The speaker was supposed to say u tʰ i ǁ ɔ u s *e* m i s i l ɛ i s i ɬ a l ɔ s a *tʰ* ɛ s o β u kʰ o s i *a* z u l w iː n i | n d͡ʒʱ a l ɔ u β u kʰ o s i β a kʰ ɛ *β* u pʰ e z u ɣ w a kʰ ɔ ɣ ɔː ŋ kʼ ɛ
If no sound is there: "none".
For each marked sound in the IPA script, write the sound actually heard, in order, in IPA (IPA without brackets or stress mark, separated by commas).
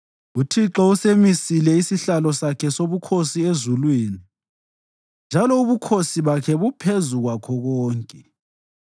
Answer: e, kʰ, e, β